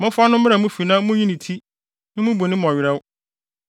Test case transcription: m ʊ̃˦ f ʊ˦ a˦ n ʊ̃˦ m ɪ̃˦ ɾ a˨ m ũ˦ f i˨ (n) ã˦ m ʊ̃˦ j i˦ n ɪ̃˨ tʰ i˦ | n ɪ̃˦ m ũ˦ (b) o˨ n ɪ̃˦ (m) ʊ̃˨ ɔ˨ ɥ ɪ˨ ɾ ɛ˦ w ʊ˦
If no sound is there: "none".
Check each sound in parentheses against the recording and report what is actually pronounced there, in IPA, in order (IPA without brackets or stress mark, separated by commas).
n, b, m